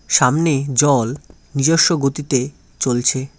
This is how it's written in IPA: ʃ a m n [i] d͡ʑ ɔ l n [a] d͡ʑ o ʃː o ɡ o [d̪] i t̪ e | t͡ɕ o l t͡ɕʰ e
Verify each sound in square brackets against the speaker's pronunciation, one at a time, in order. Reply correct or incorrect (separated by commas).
incorrect, incorrect, incorrect